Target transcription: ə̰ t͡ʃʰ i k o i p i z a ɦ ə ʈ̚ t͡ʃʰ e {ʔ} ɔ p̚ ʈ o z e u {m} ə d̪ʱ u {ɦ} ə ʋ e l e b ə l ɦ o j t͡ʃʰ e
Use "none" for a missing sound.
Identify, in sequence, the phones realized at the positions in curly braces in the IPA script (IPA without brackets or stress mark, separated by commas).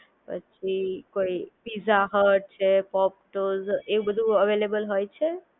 p, b, none